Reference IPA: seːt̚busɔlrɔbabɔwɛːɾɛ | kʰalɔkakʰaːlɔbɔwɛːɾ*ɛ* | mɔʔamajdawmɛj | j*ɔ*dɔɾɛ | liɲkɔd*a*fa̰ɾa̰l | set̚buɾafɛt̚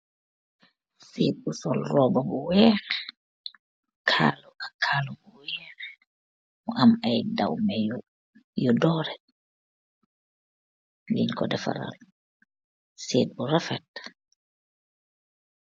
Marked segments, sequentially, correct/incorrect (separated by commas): correct, correct, incorrect